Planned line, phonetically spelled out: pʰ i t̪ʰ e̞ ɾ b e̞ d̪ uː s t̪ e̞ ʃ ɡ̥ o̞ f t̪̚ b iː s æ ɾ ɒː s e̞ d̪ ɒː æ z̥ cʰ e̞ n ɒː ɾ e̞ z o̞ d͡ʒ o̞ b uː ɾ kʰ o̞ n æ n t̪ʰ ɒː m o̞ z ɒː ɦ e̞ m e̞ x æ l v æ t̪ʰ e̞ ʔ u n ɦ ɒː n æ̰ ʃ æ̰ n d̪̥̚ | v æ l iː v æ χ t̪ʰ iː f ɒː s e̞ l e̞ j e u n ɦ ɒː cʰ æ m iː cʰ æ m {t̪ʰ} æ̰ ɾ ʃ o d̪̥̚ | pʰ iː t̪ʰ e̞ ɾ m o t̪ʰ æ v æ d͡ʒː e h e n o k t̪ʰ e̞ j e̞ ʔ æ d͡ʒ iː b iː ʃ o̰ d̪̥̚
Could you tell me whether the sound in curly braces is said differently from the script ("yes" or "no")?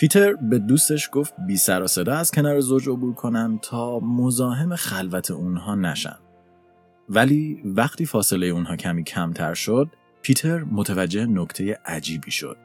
no